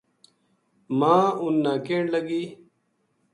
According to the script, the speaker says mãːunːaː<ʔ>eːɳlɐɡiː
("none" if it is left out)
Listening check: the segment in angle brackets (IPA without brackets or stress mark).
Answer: k